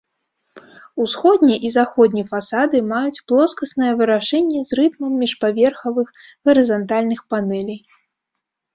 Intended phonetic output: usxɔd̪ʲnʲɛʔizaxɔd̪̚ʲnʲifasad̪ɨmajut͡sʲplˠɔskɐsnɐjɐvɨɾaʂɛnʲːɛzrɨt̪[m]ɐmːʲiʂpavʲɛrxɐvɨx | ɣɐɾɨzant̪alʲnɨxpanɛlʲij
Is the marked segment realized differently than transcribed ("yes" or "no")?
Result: no